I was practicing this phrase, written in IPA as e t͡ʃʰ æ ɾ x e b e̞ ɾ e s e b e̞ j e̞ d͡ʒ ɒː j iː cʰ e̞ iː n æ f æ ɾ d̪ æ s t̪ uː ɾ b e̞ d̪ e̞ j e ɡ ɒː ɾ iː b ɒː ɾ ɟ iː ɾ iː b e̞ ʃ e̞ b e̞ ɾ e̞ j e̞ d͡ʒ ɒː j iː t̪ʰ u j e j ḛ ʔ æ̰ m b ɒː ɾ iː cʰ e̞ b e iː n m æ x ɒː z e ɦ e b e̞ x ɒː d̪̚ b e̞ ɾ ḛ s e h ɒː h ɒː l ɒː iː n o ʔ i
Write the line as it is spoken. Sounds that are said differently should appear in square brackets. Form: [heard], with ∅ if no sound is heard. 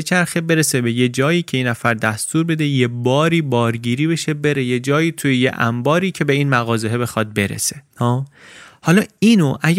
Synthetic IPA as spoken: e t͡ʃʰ æ ɾ x e b e̞ ɾ e s e b e̞ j e̞ d͡ʒ ɒː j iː cʰ e̞ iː n æ f æ ɾ d̪ æ s t̪ uː ɾ b e̞ d̪ e̞ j e [b] ɒː ɾ iː b ɒː ɾ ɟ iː ɾ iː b e̞ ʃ e̞ b e̞ ɾ e̞ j e̞ d͡ʒ ɒː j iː t̪ʰ u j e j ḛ ʔ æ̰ m b ɒː ɾ iː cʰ e̞ b e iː n m æ [ɣ] ɒː z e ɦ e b e̞ x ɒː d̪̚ b e̞ ɾ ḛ s e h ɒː h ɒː l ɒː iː n o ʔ [æ]